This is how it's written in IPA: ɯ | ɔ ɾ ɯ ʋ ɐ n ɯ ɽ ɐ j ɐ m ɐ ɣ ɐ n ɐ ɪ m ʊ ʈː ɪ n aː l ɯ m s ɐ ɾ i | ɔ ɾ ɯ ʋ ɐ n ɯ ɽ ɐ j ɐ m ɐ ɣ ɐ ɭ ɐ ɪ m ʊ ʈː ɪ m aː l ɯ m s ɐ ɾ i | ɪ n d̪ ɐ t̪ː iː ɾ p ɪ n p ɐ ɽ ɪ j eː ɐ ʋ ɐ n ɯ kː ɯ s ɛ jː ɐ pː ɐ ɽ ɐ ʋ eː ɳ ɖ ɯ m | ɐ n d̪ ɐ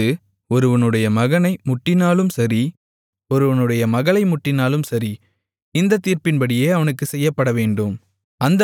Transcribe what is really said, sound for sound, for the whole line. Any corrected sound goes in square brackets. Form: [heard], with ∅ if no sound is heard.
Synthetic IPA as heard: ɯ | ɔ ɾ ɯ ʋ ɐ n ɯ ɽ ɐ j ɐ m ɐ ɣ ɐ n ɐ ɪ m ʊ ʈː ɪ n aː l ɯ m s ɐ ɾ i | ɔ ɾ ɯ ʋ ɐ n ɯ ɽ ɐ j ɐ m ɐ ɣ ɐ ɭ ɐ ɪ m ʊ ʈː ɪ [n] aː l ɯ m s ɐ ɾ i | ɪ n d̪ ɐ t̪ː iː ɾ p ɪ n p ɐ ɽ ɪ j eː ɐ ʋ ɐ n ɯ kː ɯ s ɛ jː ɐ pː ɐ ɽ ɐ ʋ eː ɳ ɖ ɯ m | ɐ n d̪ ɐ